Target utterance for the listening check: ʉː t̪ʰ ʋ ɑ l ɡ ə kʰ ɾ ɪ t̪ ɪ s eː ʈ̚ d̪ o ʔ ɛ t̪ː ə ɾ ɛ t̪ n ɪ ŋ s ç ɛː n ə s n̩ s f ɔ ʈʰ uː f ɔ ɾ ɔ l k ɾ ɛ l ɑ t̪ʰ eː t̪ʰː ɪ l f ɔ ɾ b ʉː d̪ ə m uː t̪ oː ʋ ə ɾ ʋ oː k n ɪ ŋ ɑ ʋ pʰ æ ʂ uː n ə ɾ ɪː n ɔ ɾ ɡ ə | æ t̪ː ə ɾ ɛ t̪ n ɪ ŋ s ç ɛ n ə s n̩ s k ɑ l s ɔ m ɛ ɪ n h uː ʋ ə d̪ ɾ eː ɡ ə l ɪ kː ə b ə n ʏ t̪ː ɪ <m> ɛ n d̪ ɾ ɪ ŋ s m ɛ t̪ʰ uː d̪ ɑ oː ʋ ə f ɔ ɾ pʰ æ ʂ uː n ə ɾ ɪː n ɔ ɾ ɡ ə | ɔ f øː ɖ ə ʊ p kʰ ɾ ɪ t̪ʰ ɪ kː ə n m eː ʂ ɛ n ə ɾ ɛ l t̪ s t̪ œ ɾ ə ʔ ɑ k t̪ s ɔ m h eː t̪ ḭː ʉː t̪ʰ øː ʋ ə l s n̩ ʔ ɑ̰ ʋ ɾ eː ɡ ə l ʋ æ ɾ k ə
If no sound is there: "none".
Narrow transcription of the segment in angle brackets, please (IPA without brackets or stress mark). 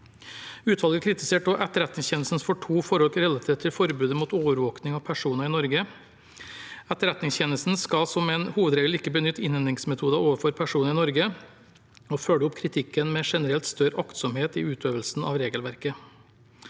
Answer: n